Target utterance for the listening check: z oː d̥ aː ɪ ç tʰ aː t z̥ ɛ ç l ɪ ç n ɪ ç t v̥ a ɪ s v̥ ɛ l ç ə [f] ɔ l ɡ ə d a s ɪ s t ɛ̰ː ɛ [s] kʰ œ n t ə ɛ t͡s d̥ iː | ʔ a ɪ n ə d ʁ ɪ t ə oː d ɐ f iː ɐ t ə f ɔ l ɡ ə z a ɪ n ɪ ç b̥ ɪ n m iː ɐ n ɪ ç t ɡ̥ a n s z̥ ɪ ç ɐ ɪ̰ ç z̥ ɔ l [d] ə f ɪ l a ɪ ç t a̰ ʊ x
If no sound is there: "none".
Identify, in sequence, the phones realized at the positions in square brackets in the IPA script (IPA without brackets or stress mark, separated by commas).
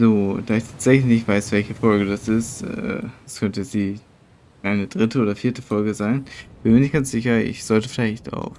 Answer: f, s, t